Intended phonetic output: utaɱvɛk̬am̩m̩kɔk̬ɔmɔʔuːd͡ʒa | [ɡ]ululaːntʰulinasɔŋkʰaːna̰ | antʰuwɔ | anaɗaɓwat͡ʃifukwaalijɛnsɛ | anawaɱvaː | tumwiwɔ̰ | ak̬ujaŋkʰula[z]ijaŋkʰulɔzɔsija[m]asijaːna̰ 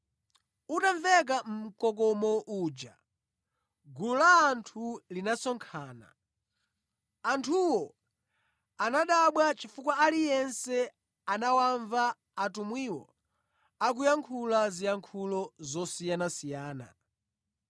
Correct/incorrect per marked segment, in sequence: correct, correct, incorrect

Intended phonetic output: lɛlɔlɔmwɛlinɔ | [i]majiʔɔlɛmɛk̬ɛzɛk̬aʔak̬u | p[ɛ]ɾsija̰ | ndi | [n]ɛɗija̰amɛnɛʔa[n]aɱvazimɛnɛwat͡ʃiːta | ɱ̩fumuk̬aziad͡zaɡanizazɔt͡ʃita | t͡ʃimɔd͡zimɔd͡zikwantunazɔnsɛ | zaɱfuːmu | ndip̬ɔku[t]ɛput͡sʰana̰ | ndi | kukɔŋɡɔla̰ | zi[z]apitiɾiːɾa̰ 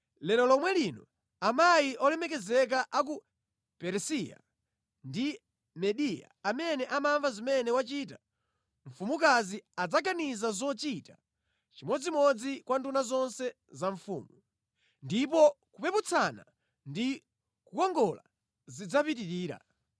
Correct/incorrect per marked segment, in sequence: incorrect, correct, incorrect, incorrect, incorrect, incorrect

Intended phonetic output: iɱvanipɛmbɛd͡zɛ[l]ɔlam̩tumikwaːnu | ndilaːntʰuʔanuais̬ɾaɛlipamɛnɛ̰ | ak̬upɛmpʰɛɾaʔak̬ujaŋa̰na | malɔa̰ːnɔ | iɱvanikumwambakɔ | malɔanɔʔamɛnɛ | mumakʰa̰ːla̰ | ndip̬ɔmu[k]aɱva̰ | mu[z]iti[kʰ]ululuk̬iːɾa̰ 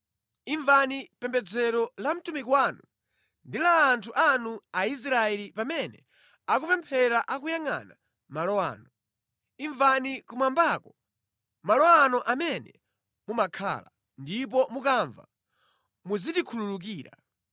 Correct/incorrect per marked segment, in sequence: incorrect, correct, correct, correct

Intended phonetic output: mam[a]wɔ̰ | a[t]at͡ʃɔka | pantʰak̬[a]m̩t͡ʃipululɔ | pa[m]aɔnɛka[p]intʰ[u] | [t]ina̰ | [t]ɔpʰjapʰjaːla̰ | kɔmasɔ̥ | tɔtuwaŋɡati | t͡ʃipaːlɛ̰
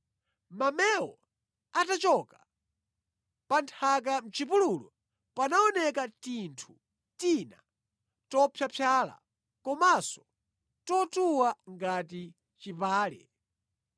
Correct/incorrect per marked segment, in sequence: incorrect, correct, correct, incorrect, incorrect, correct, correct, correct

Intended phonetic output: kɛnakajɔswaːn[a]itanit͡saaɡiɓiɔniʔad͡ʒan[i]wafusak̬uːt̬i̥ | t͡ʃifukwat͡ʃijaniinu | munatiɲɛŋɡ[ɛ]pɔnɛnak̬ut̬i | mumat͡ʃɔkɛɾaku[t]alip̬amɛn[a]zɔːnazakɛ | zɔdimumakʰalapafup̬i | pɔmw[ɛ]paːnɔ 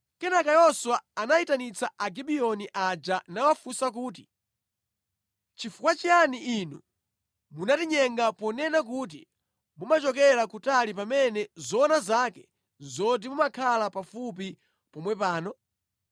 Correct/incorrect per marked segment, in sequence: correct, incorrect, incorrect, correct, incorrect, correct

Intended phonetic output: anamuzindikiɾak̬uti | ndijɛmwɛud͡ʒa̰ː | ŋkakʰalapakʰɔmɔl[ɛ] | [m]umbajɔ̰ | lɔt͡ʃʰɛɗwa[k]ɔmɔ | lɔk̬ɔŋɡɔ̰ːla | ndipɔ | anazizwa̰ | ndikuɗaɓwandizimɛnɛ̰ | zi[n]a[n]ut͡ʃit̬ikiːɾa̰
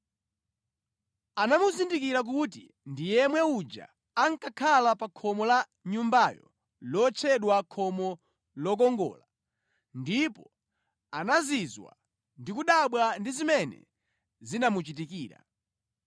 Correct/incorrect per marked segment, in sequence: incorrect, incorrect, incorrect, correct, incorrect

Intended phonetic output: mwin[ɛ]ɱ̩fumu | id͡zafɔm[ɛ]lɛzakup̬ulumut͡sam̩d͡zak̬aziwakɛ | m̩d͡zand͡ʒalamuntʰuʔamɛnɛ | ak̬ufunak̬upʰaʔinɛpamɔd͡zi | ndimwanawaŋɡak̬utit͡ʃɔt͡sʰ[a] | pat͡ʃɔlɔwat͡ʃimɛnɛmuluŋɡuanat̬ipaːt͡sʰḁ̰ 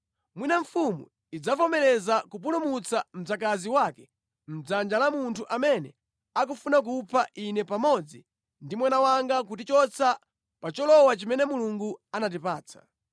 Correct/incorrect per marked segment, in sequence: incorrect, correct, correct

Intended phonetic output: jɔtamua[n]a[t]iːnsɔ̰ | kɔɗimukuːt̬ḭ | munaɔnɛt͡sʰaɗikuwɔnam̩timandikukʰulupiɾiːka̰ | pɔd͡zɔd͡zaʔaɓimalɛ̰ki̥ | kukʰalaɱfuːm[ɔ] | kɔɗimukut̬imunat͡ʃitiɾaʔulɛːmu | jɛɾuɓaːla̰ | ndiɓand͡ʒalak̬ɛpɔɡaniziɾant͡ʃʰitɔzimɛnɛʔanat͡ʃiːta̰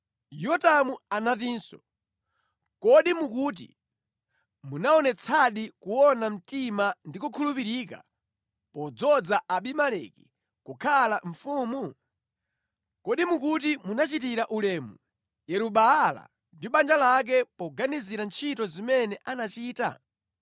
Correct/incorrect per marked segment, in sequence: correct, correct, incorrect

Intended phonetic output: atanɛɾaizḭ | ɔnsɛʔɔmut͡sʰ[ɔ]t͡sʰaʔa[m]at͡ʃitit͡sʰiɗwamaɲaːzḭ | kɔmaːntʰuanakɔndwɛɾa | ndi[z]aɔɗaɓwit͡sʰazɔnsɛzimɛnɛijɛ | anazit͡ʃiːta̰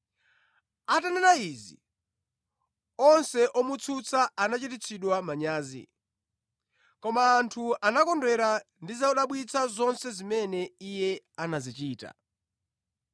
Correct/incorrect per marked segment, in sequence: incorrect, incorrect, correct

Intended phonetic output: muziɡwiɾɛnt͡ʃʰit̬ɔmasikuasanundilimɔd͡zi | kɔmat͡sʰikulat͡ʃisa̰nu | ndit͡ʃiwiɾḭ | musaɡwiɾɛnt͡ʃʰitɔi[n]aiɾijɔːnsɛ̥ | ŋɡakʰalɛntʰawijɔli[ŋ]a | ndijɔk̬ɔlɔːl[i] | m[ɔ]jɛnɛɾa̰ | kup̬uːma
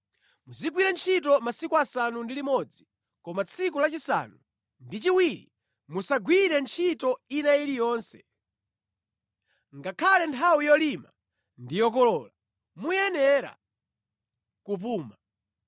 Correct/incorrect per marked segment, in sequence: correct, incorrect, incorrect, incorrect

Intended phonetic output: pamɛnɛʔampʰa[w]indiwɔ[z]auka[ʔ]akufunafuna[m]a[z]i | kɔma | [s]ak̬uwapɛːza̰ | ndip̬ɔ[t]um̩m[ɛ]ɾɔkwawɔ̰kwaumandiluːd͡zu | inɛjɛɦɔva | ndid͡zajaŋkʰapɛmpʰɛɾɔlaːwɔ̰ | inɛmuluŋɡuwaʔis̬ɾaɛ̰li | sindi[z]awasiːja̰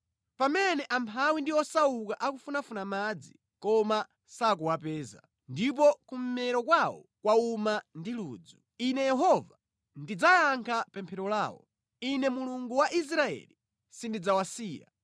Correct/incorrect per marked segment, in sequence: correct, incorrect, correct, correct, incorrect, correct, incorrect, correct, incorrect

